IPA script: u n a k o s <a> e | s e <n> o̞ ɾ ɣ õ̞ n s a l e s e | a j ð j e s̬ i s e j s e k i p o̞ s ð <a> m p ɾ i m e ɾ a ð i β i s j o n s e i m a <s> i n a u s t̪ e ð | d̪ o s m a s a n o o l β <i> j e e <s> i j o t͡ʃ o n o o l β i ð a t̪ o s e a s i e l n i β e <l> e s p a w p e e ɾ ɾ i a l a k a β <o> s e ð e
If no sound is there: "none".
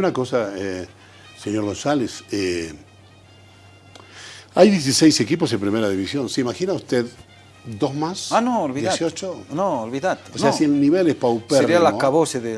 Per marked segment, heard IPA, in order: a, ɲ, e, x, i, s, l, o

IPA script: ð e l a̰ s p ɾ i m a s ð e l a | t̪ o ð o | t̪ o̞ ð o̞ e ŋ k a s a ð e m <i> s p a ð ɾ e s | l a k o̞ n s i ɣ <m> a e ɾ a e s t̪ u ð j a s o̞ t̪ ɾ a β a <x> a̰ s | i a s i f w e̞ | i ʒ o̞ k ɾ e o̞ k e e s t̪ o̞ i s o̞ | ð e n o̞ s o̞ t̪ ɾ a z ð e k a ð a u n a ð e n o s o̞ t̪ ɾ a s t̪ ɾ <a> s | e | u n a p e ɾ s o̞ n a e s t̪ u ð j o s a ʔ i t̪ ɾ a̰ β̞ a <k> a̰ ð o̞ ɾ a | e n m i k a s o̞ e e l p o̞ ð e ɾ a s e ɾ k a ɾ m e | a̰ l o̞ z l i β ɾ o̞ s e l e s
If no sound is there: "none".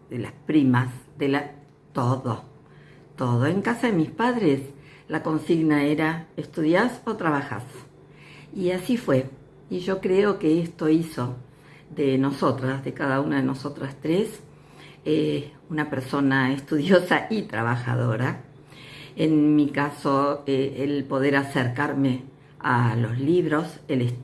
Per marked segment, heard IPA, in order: i, n, x, e, x

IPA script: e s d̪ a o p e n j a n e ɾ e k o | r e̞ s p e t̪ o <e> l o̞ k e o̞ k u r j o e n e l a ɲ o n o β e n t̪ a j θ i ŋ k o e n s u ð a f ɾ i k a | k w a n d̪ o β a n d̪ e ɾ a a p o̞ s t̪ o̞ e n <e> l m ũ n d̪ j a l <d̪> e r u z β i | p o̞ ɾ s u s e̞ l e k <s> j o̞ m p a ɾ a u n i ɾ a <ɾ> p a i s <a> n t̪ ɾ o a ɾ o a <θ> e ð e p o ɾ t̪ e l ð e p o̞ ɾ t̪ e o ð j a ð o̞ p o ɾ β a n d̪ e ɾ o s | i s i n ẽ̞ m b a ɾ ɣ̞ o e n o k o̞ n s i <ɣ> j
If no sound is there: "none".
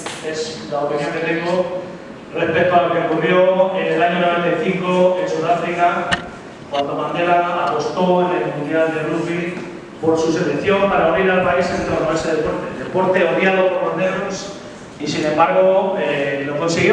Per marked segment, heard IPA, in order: a, e, d̪, θ, l, e, s, ɣ

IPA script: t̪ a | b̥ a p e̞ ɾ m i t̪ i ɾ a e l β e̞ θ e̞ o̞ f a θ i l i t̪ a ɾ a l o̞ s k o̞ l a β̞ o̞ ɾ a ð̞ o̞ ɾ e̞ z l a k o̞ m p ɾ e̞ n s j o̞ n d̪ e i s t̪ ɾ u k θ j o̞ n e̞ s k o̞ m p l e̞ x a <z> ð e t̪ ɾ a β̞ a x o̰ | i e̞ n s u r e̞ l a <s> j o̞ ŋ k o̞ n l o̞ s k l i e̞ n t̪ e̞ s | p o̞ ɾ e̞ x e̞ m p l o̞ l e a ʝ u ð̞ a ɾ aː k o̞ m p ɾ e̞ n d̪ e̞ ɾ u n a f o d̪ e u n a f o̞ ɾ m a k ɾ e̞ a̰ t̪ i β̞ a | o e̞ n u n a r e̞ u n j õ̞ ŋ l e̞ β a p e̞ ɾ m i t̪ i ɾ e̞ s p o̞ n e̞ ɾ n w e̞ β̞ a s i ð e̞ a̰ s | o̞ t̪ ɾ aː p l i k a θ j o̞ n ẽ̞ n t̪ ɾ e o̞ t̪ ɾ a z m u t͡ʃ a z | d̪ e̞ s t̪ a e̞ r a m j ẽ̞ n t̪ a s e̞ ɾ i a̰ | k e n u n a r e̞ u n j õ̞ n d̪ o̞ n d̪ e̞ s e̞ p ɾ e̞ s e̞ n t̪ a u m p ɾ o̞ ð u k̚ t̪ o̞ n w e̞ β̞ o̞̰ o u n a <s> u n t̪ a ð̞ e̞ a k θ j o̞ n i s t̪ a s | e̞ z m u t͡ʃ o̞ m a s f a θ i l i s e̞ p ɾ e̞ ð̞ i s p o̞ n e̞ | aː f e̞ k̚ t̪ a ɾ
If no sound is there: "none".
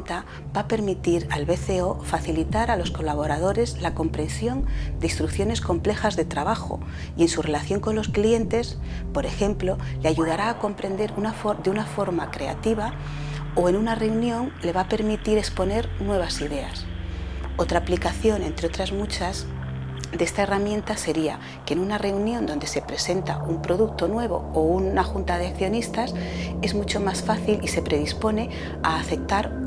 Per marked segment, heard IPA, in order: z, θ, x

